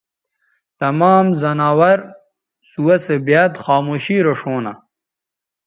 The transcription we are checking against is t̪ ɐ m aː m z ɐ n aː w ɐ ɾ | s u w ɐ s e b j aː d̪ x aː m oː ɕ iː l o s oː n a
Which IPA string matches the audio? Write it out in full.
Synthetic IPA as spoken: t̪ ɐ m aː m z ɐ n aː w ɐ ɾ | s u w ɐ s e b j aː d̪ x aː m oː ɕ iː ɾ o ʂ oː n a